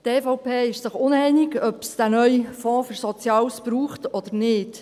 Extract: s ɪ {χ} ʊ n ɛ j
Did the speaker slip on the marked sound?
no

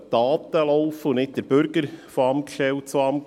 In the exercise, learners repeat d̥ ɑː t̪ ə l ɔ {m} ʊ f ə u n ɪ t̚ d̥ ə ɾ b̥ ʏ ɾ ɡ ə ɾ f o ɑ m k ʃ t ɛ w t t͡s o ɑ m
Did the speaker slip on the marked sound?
yes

